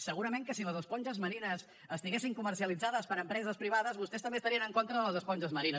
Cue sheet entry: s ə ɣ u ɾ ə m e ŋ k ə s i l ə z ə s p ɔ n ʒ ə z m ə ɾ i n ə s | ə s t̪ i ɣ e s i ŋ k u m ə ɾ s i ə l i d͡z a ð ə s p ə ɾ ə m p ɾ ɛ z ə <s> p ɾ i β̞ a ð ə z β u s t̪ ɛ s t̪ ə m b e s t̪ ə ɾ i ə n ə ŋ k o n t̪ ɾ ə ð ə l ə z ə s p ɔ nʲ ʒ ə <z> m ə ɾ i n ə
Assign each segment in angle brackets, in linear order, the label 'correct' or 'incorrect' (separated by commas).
correct, correct